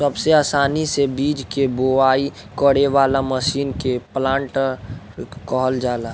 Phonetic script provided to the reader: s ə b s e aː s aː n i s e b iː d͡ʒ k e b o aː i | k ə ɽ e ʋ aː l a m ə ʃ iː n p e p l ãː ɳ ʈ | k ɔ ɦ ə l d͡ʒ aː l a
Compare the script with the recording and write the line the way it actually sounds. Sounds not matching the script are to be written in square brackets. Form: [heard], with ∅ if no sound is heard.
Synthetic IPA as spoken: s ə b s e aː s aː n i s e b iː d͡ʒ k e b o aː i | k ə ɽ e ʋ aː l a m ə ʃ iː n [k] e p l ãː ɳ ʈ | k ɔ ɦ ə l d͡ʒ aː l a